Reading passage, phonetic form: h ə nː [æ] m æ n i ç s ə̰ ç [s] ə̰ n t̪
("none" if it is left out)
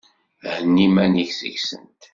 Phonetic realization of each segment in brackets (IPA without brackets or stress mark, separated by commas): i, s